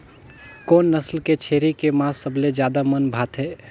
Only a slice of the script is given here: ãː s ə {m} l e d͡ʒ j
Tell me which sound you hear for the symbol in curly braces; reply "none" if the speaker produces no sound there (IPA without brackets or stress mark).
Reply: b